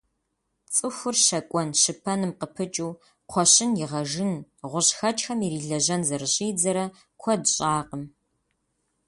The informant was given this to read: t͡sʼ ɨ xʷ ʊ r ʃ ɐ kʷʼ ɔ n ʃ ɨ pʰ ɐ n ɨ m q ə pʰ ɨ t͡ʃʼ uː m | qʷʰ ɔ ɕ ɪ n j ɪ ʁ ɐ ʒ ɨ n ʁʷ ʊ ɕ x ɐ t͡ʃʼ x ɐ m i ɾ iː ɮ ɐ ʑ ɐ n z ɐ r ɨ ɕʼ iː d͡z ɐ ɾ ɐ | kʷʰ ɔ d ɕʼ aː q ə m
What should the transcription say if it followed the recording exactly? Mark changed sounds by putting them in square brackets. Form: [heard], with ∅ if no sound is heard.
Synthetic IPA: t͡sʼ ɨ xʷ ʊ r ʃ ɐ kʷʼ ɔ n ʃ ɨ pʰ ɐ n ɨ m q ə pʰ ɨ t͡ʃʼ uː [∅] | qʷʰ ɔ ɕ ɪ n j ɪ ʁ ɐ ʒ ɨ n ʁʷ ʊ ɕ x ɐ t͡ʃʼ x ɐ m i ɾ iː ɮ ɐ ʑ ɐ n z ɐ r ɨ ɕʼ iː d͡z ɐ ɾ ɐ | kʷʰ ɔ d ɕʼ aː q ə m